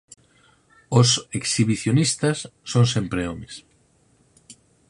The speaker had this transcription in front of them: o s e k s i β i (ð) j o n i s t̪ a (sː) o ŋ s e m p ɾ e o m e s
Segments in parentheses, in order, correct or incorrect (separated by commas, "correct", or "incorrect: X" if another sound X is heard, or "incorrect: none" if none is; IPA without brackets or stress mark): incorrect: θ, correct